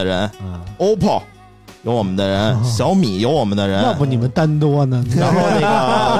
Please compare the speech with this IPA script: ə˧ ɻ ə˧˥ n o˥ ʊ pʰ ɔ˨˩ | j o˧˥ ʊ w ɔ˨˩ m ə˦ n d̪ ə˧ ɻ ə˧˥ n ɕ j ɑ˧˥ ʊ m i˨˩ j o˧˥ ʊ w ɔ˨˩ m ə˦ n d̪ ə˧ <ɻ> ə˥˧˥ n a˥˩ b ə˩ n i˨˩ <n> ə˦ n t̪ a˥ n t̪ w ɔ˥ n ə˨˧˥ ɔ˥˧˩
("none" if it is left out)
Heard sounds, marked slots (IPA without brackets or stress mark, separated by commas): ɻ, m